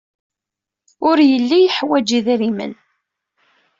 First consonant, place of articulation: alveolar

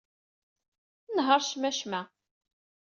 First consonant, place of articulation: alveolar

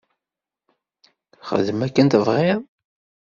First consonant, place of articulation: uvular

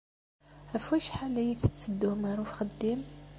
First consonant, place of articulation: labial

